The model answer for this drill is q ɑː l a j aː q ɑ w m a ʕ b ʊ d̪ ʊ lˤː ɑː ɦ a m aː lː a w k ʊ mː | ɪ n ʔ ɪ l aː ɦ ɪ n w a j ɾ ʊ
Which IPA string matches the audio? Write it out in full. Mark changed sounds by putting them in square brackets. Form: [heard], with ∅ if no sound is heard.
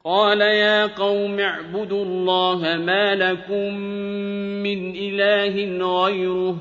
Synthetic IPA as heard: q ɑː l a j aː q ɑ w m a ʕ b ʊ d̪ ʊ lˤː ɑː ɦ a m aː [l] a [∅] k ʊ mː | ɪ n ʔ ɪ l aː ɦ ɪ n [ɣ] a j ɾ ʊ